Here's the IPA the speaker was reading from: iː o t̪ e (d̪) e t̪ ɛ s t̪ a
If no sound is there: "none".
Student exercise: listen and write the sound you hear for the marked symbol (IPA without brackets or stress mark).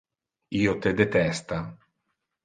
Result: d̪